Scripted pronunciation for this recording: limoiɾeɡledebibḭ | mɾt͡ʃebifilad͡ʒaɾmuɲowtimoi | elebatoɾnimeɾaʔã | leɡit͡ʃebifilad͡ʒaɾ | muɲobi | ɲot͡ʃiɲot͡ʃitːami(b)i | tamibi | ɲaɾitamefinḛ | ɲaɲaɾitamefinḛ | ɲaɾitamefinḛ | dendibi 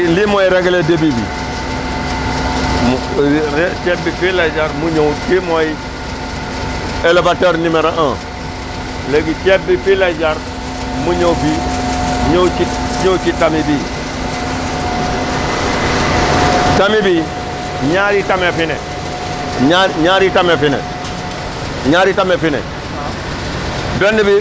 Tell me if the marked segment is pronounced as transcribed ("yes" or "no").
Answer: yes